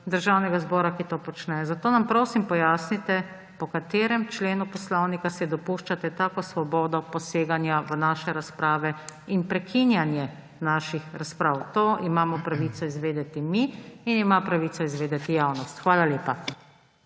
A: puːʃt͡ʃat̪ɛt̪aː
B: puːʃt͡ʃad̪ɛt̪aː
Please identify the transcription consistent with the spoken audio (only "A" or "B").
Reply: A